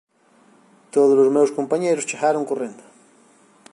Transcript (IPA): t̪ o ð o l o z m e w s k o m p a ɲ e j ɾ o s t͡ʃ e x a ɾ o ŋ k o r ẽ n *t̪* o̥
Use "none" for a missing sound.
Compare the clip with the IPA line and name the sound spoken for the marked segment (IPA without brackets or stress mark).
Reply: d̪